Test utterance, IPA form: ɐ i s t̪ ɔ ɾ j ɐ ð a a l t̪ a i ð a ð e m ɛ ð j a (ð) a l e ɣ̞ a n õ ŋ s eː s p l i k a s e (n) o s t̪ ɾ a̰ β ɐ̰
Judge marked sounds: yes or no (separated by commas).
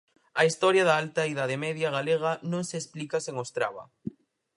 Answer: no, no